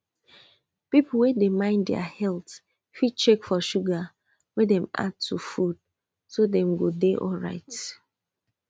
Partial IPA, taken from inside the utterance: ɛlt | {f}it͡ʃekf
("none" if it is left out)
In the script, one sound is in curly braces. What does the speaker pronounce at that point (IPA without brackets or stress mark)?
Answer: f